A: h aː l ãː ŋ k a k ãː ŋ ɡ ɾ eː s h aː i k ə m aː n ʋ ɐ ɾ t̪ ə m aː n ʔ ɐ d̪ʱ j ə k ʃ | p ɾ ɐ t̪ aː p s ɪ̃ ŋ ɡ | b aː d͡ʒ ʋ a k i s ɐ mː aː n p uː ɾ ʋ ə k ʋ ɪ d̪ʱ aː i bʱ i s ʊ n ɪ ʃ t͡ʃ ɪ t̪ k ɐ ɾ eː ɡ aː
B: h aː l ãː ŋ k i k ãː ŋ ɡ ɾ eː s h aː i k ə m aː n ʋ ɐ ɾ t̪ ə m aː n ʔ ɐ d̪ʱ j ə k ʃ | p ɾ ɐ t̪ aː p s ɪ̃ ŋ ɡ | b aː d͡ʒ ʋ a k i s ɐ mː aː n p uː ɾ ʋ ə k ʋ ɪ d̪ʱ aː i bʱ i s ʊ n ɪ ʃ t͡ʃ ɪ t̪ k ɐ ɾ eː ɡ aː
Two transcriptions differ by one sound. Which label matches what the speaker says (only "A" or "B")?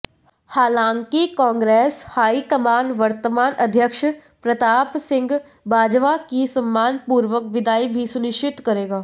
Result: B